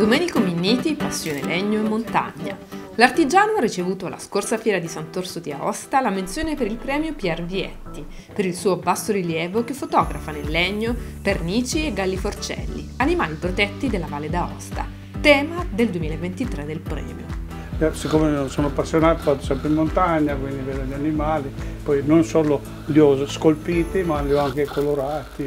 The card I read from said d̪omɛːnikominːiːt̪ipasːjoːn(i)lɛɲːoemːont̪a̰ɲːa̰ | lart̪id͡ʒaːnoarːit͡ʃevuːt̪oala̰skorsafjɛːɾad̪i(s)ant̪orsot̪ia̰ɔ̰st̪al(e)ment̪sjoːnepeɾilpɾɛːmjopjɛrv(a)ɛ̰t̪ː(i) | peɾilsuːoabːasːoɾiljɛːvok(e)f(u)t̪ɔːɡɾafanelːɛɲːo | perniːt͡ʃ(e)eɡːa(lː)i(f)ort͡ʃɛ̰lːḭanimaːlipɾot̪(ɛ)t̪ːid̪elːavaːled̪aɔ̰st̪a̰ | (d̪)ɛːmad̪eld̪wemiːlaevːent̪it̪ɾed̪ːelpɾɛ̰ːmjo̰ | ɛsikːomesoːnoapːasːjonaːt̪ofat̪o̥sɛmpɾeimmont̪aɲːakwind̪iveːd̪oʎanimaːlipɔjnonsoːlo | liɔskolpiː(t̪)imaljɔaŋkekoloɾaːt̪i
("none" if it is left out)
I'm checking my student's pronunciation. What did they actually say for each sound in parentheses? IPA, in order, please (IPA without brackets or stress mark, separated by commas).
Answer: e, s, a, i, i, e, o, i, lː, f, ɛ, t̪, t̪